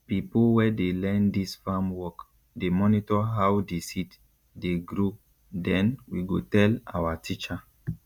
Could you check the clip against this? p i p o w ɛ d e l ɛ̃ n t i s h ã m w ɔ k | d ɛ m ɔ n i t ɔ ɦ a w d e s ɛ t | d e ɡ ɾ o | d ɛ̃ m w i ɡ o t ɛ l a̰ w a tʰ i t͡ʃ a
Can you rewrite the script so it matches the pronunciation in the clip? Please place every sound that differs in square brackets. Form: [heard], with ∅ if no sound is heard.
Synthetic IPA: p i p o w ɛ d e l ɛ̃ n [d] i s [f] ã m w ɔ k | d [e] m ɔ n i t ɔ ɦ a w d e s [i] t | d e ɡ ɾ o | d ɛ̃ [n] w i ɡ o t ɛ l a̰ w a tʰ i t͡ʃ a

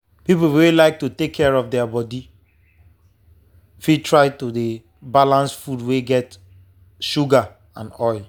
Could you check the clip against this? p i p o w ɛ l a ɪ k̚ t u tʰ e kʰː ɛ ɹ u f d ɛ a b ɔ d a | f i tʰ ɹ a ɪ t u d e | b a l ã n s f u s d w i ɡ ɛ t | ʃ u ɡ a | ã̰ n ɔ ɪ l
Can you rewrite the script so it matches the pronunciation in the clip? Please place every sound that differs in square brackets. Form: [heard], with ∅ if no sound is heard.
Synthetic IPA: p i p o w [e] l a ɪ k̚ t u [t] e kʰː ɛ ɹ [ɔ] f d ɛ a b ɔ d [i] | f i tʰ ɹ a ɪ t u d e | b a l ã n s f u [∅] d w [e] ɡ ɛ t | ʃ u ɡ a | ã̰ n ɔ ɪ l

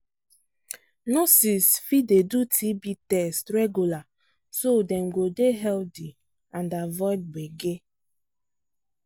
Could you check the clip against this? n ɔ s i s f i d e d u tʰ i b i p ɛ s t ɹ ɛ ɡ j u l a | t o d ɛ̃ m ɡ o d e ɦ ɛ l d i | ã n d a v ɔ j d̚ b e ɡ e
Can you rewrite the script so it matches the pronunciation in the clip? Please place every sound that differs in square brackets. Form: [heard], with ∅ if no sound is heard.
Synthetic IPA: n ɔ s i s f i d e d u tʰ i b i [t] ɛ s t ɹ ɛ ɡ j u l a | [s] o d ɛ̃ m ɡ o d e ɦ ɛ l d i | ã n d a v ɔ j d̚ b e ɡ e

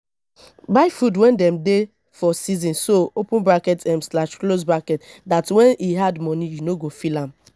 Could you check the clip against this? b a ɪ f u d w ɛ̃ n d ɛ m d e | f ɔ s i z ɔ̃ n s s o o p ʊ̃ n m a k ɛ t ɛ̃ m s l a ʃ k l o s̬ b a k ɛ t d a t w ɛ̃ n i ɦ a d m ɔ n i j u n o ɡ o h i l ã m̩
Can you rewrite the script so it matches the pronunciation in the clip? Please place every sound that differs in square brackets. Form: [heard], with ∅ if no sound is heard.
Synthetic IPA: b a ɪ f u d w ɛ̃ n d ɛ m d e | f ɔ s i z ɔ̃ n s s o o p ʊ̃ n [b] a k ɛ t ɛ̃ m s l a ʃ k l o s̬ b a k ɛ t d a t w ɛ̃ n i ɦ a d m ɔ n i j u n o ɡ o [f] i l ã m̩

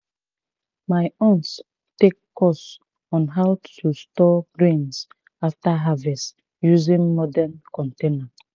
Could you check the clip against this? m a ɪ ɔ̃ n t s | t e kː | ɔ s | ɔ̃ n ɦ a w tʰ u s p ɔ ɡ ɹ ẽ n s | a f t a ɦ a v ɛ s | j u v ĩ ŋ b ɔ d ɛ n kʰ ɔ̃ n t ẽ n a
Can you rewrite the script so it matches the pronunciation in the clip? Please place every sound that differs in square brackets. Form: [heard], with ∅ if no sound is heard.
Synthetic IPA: m a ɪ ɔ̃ n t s | t e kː | ɔ s | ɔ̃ n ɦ a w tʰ u s [t] ɔ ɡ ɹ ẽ n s | a f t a ɦ a v ɛ s | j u [z] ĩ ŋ [m] ɔ d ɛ n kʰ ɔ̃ n t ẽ n a

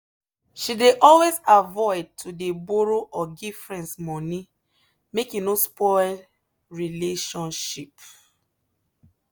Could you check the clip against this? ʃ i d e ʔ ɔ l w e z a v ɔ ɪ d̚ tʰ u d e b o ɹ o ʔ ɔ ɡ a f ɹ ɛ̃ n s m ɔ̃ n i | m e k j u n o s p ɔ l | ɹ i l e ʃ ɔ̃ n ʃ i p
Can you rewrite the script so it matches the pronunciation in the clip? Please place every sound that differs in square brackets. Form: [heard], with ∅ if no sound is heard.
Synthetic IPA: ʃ i d e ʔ ɔ l w e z a v ɔ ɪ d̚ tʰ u d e b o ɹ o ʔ ɔ ɡ [i] f ɹ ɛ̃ n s m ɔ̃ n i | m e k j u n o s p ɔ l | ɹ i l e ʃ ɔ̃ n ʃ i p

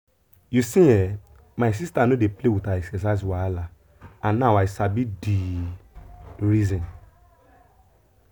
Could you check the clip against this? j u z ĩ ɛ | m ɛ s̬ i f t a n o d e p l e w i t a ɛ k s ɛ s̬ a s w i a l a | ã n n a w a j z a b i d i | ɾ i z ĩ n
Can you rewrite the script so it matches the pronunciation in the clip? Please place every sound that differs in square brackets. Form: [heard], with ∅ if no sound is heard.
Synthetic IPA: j u [s] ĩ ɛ | m [a] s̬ i [s] t a n o d e p l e w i t a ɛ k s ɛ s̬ a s w [a] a l a | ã n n a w a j [s] a b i d i | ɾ i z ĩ n

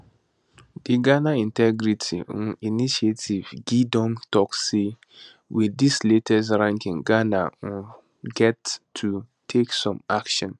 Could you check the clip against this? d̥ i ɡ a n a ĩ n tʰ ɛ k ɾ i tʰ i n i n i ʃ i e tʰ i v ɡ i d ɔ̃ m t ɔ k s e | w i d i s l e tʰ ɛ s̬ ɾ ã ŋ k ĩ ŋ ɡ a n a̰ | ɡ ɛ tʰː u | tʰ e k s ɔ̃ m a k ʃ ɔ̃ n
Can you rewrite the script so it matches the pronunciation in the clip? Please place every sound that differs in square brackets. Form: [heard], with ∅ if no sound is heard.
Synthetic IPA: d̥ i ɡ a n a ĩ n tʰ ɛ [ɡ] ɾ i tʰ i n i n i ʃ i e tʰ i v ɡ i d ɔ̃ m t ɔ k s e | w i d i s l e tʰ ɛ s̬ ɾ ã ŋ k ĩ ŋ ɡ a n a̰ | ɡ ɛ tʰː u | tʰ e k s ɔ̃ m a k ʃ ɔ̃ n

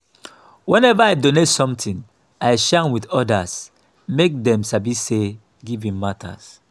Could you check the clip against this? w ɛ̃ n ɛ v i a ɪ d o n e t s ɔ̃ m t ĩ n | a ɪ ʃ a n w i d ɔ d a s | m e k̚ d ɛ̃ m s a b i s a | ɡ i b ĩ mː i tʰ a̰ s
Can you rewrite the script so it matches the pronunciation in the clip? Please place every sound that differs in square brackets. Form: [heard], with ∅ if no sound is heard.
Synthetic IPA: w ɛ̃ n ɛ v [a] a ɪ d o n e t s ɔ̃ m t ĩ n | a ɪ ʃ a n w i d ɔ d a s | m e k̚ d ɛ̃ m s a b i s [e] | ɡ i [v] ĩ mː [a] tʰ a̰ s

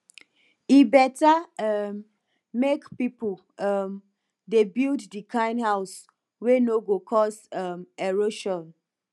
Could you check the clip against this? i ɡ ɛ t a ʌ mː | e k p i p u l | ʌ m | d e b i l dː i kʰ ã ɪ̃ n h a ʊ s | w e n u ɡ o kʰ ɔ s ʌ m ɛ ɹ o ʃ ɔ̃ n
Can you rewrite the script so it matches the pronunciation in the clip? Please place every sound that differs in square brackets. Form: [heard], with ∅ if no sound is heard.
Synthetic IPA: i [b] ɛ t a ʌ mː | e k p i p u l | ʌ m | d e b i l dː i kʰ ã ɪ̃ n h a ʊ s | w e n [o] ɡ o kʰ ɔ s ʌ m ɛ ɹ o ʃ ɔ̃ n

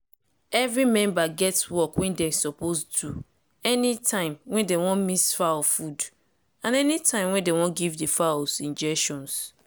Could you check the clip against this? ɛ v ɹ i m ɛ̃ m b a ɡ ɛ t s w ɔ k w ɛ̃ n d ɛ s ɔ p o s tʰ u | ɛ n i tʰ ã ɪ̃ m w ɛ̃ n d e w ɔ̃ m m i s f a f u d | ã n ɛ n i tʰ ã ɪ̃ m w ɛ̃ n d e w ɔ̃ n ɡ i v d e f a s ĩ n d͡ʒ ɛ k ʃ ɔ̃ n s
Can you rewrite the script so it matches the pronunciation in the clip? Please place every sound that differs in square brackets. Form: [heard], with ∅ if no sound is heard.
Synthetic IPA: ɛ v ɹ i m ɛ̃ m b a ɡ ɛ t s w ɔ k w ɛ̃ n d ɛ s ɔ p o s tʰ u | ɛ n i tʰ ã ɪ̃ m w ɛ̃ n d e w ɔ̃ [n] m i s f a f u d | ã n ɛ n i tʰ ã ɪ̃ m w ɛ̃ n d e w ɔ̃ n ɡ i v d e f a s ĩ n d͡ʒ ɛ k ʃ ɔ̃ n s

